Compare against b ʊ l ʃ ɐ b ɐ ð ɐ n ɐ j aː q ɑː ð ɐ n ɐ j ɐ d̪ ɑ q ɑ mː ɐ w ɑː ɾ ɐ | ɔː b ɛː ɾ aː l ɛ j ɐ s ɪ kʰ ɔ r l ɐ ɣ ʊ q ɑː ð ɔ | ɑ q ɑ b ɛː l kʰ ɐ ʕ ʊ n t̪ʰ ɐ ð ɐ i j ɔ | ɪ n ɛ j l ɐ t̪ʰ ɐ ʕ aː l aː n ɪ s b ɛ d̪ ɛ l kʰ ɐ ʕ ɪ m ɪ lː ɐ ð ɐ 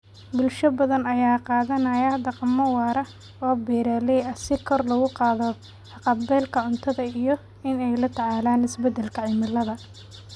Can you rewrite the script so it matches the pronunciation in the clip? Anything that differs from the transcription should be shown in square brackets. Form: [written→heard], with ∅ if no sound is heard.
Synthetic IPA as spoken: b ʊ l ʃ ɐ b ɐ ð ɐ n ɐ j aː q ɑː ð ɐ n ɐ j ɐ d̪ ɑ q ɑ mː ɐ w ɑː ɾ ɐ | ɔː b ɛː ɾ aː l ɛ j ɐ s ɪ kʰ ɔ r l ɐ ɣ ʊ q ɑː ð ɔ | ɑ q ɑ b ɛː l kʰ ɐ ʕ ʊ n t̪ʰ ɐ ð ɐ i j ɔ | ɪ n ɛ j l ɐ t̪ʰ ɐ ʕ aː l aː n ɪ s b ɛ d̪ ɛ l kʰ ɐ ʕ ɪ m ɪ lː ɐ ð ɐ